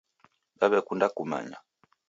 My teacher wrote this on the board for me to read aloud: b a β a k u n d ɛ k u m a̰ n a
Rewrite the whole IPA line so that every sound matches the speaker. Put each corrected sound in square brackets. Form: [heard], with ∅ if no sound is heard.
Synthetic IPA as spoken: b a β [ɛ] k u n d [a] k u m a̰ [ɲ] a